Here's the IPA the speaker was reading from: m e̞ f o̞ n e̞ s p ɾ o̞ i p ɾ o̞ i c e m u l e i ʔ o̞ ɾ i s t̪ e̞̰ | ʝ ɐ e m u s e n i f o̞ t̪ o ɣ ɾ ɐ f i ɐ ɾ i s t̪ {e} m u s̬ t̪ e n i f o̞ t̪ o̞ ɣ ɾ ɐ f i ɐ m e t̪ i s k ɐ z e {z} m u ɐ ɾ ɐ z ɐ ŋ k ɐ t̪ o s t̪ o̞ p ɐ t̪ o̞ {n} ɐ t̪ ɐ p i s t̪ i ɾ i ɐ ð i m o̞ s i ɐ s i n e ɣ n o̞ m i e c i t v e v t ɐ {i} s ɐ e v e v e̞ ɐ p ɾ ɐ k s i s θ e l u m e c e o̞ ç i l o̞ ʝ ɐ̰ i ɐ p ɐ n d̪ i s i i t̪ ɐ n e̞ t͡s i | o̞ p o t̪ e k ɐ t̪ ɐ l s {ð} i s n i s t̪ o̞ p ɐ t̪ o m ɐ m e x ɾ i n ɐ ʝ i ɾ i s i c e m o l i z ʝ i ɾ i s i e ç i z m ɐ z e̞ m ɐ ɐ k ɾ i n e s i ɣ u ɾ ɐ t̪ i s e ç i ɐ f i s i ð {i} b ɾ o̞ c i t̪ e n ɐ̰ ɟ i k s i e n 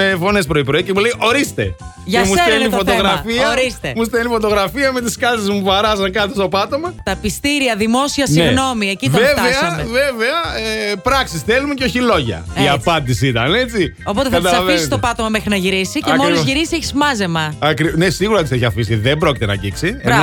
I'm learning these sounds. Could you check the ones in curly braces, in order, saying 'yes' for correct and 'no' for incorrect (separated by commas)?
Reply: yes, yes, no, no, no, no